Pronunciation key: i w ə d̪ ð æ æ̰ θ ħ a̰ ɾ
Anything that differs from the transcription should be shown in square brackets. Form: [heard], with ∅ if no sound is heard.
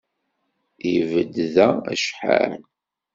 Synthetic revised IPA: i [v] ə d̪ ð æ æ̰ [ʃ] ħ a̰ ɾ